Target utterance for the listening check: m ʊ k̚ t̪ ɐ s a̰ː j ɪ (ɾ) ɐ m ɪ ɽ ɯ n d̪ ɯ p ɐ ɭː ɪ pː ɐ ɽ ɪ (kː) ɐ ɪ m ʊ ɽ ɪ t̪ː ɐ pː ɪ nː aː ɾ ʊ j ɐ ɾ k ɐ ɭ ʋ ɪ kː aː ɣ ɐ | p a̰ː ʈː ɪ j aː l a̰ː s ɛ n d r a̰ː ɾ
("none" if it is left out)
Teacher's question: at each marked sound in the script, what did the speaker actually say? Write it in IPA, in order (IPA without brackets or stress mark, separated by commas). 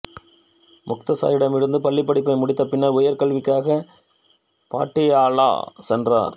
ɽ, pː